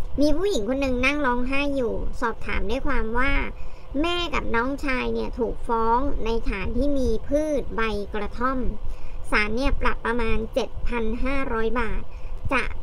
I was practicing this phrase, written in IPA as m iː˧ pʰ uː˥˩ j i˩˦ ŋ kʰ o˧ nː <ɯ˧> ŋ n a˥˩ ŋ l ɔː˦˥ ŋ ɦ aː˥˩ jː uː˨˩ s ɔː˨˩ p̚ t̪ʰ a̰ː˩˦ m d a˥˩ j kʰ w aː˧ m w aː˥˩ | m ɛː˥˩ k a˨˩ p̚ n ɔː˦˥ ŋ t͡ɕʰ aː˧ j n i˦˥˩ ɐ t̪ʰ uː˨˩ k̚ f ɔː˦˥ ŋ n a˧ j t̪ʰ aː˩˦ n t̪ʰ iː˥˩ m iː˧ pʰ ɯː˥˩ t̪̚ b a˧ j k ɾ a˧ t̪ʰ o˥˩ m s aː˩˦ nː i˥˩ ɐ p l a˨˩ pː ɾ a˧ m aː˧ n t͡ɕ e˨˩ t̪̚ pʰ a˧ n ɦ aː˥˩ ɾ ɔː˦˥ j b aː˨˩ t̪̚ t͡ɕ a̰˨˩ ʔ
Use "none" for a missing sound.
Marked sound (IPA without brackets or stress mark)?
ɯ˧